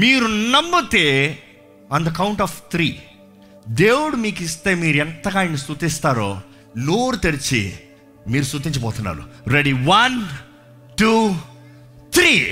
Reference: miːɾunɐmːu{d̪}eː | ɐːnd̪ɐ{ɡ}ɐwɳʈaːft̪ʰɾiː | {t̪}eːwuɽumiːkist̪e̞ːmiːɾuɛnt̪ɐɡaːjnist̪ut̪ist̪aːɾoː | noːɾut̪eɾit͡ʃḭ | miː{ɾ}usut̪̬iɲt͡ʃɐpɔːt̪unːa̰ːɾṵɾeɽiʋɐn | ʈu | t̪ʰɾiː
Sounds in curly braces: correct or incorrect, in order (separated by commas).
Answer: incorrect, incorrect, incorrect, correct